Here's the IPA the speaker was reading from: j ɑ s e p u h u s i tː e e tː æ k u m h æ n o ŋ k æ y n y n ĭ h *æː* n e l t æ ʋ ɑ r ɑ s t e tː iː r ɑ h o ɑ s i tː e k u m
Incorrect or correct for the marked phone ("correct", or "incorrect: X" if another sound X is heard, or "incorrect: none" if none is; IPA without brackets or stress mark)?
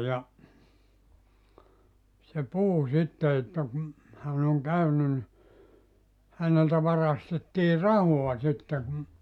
incorrect: æ